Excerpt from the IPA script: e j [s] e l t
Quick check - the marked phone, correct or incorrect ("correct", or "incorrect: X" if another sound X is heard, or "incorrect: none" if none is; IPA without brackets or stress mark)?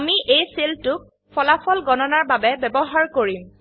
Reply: correct